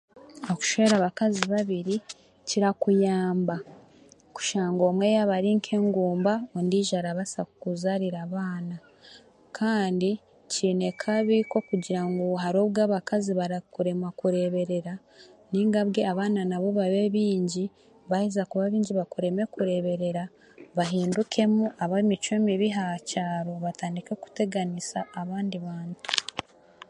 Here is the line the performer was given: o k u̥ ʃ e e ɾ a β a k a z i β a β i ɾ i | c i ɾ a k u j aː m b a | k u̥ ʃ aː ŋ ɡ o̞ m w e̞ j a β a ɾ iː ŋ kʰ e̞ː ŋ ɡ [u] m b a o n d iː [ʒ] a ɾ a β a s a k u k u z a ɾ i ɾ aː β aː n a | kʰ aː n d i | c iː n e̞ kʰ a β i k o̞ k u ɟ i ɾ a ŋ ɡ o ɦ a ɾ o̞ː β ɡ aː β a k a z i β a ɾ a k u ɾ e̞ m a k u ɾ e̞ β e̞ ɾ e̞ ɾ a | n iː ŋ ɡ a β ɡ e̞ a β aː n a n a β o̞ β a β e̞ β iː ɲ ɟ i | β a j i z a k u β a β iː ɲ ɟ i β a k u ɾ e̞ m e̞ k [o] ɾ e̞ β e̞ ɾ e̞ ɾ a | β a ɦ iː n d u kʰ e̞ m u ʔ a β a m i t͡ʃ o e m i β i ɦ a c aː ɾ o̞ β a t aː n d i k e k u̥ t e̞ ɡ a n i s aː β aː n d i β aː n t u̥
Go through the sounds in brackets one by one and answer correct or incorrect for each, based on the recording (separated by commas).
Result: incorrect, correct, incorrect